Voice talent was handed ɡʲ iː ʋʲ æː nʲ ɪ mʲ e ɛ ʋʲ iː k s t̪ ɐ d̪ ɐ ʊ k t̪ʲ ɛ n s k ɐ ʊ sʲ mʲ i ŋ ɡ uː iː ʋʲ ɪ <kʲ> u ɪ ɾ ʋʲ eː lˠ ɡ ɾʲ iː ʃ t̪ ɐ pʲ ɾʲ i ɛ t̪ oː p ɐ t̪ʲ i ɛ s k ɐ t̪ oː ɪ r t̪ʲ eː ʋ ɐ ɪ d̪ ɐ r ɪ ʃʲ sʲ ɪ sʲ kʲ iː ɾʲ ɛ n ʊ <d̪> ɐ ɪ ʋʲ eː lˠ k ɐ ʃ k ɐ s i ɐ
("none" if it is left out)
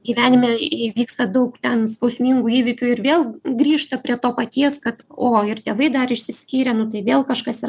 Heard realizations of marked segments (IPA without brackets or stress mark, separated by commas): kʲ, t̪